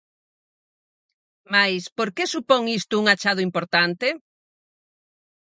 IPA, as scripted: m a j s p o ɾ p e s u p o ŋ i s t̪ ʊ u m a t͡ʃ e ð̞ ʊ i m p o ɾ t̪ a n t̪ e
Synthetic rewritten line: m a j s p o ɾ k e s u p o ŋ i s t̪ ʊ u ŋ a t͡ʃ a ð̞ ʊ i m p o ɾ t̪ a n t̪ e

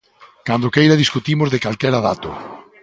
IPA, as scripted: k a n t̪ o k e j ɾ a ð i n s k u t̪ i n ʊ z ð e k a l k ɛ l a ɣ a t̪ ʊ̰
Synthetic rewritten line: k a n d̪ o k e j ɾ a ð i s k u t̪ i m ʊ z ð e k a l k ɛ ɾ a ð a t̪ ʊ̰

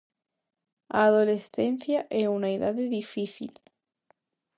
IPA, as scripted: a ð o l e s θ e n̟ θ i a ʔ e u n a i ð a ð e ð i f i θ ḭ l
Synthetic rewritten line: a ð o l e s θ e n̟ θ j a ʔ e u n a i ð a ð e ð i f i θ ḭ l

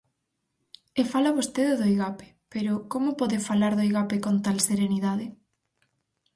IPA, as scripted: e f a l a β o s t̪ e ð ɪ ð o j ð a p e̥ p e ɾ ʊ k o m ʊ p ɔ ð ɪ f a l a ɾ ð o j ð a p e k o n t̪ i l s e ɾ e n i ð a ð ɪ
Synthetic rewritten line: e f a l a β o s t̪ e ð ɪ ð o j ɣ a p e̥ p e ɾ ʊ k o m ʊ p ɔ ð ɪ f a l a ɾ ð o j ɣ a p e k o n t̪ a l s e ɾ e n i ð a ð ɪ

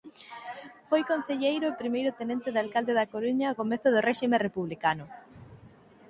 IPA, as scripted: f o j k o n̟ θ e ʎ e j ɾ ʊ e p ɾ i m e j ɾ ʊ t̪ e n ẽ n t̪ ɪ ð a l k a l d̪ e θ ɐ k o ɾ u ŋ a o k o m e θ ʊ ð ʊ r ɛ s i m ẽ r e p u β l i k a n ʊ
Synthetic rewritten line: f o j k o n̟ θ e ʎ e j ɾ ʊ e p ɾ i m e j ɾ ʊ t̪ e n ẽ n t̪ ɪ ð a l k a l d̪ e ð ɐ k o ɾ u ɲ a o k o m e θ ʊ ð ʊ r ɛ ʃ i m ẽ r e p u β l i k a n ʊ

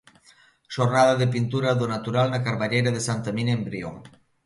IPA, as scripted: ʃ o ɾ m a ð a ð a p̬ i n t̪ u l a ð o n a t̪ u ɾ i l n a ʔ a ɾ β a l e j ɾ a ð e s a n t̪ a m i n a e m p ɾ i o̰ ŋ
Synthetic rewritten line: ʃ o ɾ n a ð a ð e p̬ i n t̪ u ɾ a ð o n a t̪ u ɾ a l n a k a ɾ β a ʎ e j ɾ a ð e s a n t̪ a m i n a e m b ɾ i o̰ ŋ

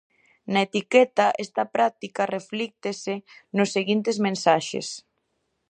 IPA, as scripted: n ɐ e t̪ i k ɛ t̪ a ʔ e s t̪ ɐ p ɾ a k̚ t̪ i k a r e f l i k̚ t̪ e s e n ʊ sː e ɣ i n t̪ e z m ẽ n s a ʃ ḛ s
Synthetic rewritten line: n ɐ e t̪ i k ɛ t̪ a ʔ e s t̪ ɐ p ɾ a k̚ t̪ i k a r e f l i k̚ t̪ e s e n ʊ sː e ɣ i n t̪ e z m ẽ n s a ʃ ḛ s

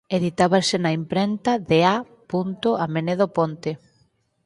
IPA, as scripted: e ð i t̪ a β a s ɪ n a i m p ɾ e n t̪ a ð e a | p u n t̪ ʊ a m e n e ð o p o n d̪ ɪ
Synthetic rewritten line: e ð i t̪ a β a s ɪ n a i m p ɾ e n t̪ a ð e a | p u n t̪ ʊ a m e n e ð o p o n t̪ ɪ

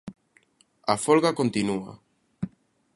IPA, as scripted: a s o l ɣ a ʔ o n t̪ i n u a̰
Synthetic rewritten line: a f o l ɣ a k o n t̪ i n u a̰

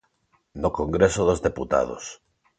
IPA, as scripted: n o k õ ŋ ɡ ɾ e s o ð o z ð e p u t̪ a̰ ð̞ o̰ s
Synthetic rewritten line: n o k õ ŋ ɡ ɾ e s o ð o z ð e p u t̪ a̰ ð̞ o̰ s

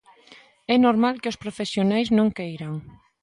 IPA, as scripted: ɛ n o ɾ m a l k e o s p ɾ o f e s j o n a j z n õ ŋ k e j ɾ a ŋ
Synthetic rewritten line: ɛ n o ɾ m a l k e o s p ɾ o f e s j o n a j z n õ ŋ k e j ɾ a ŋ

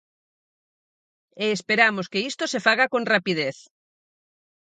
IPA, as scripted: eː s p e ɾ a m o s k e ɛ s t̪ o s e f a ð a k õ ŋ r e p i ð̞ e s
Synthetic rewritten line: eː s p e ɾ a m o s k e i s t̪ o s e f a ɣ a k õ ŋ r a p i ð̞ e θ

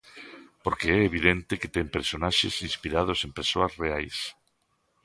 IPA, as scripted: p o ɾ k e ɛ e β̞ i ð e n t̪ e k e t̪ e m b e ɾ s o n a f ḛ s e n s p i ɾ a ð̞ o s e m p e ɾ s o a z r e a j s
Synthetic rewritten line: p o ɾ k e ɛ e β̞ i ð e n t̪ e k e t̪ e m p e ɾ s o n a ʃ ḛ s i n s p i ɾ a ð̞ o s e m p e ɾ s o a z r e a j s

